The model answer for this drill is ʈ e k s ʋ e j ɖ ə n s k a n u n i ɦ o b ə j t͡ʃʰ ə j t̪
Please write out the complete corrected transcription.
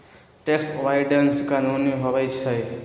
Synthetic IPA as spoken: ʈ e k s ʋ a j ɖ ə n s k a n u n i ɦ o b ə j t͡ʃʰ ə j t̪